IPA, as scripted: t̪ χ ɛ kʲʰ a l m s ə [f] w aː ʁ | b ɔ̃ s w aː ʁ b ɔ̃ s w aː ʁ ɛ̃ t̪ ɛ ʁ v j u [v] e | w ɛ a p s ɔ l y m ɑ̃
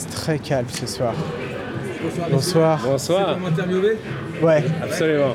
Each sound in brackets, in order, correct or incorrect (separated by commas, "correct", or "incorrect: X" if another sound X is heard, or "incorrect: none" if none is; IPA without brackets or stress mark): incorrect: s, correct